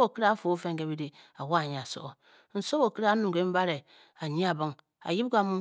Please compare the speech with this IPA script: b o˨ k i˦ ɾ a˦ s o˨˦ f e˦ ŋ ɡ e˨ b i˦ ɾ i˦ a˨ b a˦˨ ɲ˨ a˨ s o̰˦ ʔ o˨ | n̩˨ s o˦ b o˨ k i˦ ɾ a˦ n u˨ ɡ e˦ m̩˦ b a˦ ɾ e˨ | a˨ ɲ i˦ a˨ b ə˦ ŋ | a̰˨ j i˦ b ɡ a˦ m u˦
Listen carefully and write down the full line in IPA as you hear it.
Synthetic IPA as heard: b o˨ k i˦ ɾ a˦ f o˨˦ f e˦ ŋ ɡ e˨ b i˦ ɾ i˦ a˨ w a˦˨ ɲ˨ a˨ s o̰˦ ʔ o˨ | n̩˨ s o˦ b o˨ k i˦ ɾ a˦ n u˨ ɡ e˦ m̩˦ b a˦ ɾ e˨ | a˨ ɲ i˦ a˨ b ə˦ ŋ | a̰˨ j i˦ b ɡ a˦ m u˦

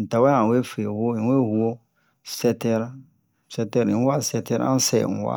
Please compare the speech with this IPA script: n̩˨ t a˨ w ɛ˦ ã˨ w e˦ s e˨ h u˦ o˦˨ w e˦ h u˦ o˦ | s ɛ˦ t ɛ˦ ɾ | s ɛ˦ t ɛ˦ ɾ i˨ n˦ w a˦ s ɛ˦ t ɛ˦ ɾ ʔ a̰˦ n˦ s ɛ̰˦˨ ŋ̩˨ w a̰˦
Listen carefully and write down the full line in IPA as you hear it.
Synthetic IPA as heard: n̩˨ t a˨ w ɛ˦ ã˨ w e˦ f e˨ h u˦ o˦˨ w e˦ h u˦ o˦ | s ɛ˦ t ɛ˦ ɾ | s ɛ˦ t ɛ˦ ɾ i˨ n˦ w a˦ s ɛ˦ t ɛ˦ ɾ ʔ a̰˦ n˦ s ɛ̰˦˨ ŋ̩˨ w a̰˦

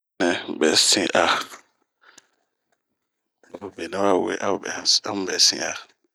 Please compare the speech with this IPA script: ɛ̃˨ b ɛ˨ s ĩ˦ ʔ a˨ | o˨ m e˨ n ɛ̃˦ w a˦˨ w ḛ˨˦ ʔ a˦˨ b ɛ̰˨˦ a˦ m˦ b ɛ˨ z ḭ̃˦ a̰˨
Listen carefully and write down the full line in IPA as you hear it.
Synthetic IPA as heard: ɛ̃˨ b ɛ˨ s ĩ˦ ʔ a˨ | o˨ b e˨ n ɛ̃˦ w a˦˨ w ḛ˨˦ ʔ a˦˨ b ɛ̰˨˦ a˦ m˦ b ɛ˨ s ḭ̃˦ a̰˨

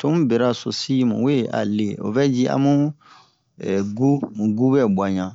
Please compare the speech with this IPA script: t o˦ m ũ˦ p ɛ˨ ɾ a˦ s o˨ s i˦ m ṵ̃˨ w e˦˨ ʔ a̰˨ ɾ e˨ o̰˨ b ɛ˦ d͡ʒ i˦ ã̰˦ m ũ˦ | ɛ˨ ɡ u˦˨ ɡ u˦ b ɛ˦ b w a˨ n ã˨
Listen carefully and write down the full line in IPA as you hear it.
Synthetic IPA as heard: t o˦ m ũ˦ b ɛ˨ ɾ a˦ s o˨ s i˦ m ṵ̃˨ w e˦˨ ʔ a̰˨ l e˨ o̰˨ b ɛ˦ d͡ʒ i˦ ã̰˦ m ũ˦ | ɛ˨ ɡ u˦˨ ɡ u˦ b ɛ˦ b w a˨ ɲ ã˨

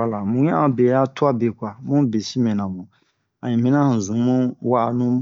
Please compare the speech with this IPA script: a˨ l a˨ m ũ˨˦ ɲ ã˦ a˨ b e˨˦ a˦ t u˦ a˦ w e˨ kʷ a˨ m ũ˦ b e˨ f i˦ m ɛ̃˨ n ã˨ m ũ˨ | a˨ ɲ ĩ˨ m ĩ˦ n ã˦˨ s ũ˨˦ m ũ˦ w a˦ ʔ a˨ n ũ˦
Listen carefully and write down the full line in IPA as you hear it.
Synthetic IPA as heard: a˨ l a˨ m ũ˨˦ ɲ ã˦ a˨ b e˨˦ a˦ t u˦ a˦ b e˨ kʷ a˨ m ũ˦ b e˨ s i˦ m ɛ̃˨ n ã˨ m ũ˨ | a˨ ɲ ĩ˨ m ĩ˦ n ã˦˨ z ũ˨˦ m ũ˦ w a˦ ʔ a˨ n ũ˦

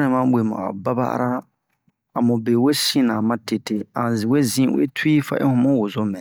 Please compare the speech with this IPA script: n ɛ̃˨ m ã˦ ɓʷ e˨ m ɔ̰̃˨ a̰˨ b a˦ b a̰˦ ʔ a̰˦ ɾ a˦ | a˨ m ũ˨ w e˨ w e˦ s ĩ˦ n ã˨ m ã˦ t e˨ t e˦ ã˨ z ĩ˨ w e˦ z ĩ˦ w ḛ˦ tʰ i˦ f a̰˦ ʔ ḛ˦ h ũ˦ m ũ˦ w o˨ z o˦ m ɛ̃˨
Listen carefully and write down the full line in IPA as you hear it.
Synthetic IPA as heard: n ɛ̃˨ m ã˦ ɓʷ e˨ m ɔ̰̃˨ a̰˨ b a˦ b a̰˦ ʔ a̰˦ ɾ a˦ | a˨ m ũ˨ b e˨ w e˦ s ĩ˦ n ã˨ m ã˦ t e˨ t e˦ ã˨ z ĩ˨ w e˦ z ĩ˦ w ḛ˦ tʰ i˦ f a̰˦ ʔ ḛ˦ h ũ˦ m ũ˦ w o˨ z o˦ m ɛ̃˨

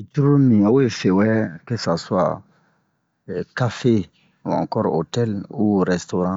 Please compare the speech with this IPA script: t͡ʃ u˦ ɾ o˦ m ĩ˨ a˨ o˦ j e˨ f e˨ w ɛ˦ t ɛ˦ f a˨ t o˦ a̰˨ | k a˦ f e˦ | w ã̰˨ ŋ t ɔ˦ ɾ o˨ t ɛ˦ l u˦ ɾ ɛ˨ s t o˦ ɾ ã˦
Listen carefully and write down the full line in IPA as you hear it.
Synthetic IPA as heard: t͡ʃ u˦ ɾ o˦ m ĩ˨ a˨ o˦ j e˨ f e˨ w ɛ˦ k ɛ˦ s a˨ s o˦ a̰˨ | k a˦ f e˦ | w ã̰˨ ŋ k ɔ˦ ɾ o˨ t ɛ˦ l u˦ ɾ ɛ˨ s t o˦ ɾ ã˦

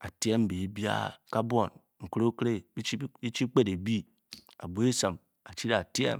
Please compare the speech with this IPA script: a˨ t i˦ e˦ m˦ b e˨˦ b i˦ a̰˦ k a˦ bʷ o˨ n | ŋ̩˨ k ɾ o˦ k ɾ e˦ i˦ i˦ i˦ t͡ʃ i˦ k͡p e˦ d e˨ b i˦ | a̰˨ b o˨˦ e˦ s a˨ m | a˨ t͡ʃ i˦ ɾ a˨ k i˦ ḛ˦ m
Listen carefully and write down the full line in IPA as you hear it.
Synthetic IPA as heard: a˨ t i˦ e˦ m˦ b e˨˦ b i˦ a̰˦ k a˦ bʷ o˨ n | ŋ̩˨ k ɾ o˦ k ɾ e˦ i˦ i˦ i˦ t͡ʃ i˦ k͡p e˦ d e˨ b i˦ | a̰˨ b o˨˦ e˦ s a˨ m | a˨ t͡ʃ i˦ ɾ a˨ t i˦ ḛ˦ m

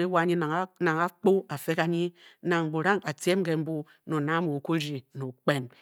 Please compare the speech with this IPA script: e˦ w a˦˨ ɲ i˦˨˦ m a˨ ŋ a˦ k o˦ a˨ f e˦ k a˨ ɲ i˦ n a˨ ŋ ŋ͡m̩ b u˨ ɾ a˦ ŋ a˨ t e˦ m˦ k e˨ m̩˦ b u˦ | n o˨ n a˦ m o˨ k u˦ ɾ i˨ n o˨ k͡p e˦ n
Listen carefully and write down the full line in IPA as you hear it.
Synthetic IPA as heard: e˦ w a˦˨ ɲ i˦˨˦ n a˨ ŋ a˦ k͡p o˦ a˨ f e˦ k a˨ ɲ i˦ n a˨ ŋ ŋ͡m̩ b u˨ ɾ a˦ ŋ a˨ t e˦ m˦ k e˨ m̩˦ b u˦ | n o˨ n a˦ m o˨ k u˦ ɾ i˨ n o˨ k͡p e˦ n

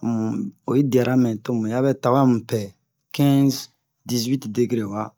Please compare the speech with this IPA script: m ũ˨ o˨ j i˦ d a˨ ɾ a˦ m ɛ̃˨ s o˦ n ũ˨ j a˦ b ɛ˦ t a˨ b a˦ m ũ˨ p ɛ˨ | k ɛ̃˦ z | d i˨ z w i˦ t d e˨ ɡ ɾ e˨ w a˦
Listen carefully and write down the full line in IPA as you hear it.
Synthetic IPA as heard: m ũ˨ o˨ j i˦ d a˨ ɾ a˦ m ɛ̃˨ t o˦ m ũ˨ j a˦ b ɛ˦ t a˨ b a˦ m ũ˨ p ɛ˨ | k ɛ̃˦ z | d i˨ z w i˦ t d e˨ ɡ ɾ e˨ w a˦

